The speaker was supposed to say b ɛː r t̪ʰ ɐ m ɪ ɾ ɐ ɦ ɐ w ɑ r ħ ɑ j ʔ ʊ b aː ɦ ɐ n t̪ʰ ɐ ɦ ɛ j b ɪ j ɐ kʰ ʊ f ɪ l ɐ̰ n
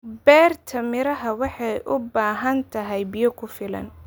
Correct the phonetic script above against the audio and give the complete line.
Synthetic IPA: b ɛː r t̪ʰ ɐ m ɪ ɾ ɐ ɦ ɐ w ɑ ħ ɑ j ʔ ʊ b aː ɦ ɐ n t̪ʰ ɐ ɦ ɛ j b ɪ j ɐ kʰ ʊ f ɪ l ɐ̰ n